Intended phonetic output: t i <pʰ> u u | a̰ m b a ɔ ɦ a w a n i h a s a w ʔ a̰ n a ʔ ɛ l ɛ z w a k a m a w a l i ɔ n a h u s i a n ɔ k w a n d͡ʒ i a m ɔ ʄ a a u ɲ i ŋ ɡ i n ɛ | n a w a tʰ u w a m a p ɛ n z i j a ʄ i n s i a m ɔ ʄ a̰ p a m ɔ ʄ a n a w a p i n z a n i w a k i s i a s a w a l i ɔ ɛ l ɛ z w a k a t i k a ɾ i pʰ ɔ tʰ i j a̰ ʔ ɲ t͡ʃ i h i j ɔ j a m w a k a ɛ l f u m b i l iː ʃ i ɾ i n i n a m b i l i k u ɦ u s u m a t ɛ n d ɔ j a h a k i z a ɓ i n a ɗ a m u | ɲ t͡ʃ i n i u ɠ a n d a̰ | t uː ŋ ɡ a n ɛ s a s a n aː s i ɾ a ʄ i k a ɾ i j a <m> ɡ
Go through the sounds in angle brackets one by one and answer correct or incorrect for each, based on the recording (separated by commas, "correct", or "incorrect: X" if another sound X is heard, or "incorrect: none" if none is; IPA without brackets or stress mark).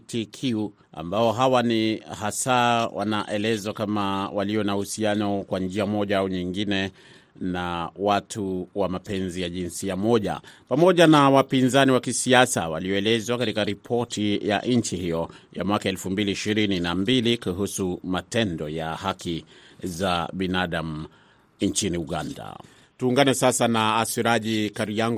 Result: incorrect: kʰ, incorrect: ŋ